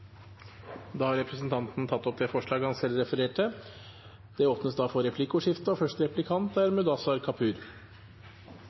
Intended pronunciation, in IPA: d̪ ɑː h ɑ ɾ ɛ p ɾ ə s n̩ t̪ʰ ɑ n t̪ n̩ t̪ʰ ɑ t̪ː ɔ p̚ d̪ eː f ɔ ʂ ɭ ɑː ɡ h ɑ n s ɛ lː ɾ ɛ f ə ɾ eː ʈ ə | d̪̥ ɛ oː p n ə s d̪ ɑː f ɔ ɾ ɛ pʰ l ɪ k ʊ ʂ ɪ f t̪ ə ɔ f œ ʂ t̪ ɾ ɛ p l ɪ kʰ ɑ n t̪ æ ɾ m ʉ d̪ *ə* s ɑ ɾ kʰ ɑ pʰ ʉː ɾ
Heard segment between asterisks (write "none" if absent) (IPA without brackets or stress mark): ɑ